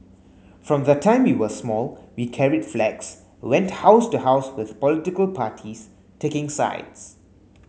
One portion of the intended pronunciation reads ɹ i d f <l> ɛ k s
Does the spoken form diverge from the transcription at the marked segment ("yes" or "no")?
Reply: no